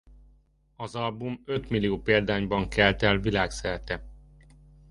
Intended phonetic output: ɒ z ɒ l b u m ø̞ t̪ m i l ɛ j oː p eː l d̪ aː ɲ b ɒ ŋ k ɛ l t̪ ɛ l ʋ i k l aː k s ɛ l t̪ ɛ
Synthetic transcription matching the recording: ɒ z ɒ l b u m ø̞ t̪ m i l i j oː p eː l d̪ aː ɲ b ɒ ŋ k ɛ l t̪ ɛ l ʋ i l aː k s ɛ ɾ t̪ ɛ